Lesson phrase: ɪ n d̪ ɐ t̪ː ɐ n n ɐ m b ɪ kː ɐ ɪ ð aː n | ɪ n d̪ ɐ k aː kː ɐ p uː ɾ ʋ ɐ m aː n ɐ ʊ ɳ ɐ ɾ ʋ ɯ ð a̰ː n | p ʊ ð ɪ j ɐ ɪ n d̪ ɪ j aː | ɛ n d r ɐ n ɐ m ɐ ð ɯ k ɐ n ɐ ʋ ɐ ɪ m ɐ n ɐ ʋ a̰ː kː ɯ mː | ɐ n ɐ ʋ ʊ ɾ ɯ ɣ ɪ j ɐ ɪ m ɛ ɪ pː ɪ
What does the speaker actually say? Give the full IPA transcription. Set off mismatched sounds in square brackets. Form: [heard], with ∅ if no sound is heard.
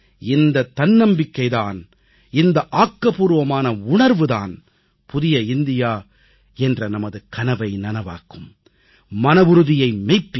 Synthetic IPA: ɪ n d̪ ɐ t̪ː ɐ n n ɐ m b ɪ kː ɐ ɪ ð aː n | ɪ n d̪ ɐ [ʔ] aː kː ɐ p uː ɾ ʋ ɐ m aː n ɐ ʊ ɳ ɐ ɾ ʋ ɯ ð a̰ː n | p ʊ ð ɪ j ɐ ɪ n d̪ ɪ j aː | ɛ n d r ɐ n ɐ m ɐ ð ɯ k ɐ n ɐ ʋ ɐ ɪ [n] ɐ n ɐ ʋ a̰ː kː ɯ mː | ɐ n ɐ ʋ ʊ ɾ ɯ [ð] ɪ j ɐ ɪ m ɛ ɪ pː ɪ